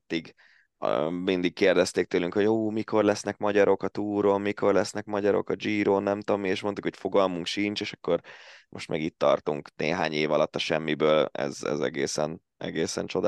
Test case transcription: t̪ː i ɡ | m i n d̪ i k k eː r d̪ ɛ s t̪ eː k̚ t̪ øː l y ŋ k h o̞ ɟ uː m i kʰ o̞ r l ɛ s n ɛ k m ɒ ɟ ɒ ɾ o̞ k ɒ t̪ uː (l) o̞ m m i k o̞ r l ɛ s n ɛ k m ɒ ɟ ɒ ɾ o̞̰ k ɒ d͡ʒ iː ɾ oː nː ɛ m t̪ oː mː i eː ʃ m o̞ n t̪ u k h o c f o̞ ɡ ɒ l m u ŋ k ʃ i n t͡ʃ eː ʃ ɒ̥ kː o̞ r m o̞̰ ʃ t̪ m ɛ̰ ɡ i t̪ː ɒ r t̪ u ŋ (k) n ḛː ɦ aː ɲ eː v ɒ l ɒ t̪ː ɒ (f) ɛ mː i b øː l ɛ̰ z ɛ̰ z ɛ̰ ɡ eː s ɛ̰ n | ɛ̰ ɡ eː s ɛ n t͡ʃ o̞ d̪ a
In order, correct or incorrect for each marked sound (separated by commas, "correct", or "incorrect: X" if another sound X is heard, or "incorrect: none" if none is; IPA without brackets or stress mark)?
incorrect: ɾ, correct, incorrect: ʃ